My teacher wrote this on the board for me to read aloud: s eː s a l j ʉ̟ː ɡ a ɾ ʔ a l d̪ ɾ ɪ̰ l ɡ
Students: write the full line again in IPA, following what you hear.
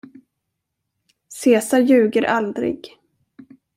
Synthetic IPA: s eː s a ɾ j ʉ̟ː ɡ ə ɾ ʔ a l d̪ ɾ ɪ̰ ɡ